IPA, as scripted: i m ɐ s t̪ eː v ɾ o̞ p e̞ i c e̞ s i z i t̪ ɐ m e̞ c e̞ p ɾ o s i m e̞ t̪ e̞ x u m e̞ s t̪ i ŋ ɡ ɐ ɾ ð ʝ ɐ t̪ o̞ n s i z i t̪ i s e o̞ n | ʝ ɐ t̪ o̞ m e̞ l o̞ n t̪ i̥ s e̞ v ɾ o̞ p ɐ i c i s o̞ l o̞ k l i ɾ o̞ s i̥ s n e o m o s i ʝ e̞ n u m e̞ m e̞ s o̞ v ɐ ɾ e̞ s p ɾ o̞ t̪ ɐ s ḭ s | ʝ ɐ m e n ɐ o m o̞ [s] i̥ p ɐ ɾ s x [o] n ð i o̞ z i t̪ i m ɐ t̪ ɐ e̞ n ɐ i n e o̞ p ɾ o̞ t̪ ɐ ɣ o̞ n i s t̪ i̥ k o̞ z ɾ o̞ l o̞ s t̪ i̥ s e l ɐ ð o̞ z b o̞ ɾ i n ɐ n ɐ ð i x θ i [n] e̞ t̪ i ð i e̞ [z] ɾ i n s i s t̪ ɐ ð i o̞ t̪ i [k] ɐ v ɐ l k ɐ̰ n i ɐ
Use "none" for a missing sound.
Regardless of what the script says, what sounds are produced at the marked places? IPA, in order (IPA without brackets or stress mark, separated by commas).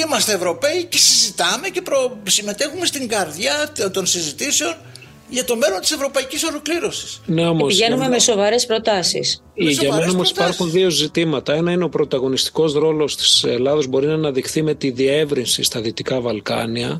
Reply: s, u, m, v, k